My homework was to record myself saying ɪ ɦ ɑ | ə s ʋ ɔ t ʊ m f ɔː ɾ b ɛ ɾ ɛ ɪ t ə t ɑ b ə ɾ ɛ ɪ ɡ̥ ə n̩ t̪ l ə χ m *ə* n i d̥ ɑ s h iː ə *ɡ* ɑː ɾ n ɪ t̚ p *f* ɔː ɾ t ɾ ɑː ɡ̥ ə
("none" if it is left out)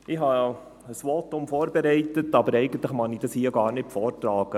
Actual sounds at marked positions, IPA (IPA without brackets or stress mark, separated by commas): ɑ, ɡ, f